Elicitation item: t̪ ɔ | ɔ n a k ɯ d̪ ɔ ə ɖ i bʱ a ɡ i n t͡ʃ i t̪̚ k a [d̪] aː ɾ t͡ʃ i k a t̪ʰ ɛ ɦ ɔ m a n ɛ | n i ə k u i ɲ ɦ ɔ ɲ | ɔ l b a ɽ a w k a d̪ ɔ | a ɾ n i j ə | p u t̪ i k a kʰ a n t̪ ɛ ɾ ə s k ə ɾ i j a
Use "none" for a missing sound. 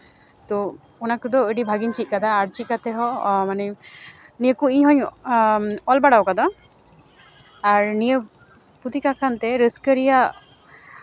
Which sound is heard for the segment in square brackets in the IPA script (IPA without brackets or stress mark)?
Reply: d̪